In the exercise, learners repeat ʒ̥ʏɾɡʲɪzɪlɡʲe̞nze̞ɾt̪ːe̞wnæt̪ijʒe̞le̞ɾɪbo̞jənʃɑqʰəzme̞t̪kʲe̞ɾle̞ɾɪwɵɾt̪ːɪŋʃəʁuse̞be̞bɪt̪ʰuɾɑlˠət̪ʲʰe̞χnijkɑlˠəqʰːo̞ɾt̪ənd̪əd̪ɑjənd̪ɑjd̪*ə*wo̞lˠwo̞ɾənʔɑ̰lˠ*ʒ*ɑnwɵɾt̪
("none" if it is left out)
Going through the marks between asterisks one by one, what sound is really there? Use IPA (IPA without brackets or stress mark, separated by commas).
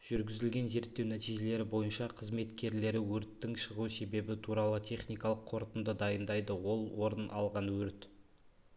ə, ʁ